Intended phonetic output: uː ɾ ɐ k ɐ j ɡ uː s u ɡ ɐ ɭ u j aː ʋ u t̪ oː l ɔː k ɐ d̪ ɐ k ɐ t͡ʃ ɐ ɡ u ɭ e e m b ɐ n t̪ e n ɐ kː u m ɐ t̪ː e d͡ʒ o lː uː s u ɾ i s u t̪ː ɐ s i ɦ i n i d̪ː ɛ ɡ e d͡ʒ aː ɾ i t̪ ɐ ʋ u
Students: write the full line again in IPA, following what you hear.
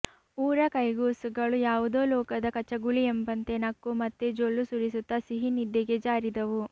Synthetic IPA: uː ɾ ɐ k ɐ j ɡ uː s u ɡ ɐ ɭ u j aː ʋ u d̪ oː l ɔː k ɐ d̪ ɐ k ɐ t͡ʃ ɐ ɡ u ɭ i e m b ɐ n t̪ e n ɐ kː u m ɐ t̪ː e d͡ʒ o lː u s u ɾ i s u t̪ː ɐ s i ɦ i n i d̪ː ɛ ɡ e d͡ʒ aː ɾ i d̪ ɐ ʋ u